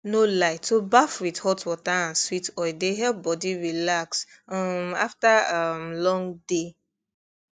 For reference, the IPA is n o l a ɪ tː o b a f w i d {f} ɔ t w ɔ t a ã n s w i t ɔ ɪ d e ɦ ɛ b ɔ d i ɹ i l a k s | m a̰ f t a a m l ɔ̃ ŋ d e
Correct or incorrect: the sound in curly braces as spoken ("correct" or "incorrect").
incorrect